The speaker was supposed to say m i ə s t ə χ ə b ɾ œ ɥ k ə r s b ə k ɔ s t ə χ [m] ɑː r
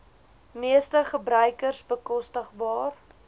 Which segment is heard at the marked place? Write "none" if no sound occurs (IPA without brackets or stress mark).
b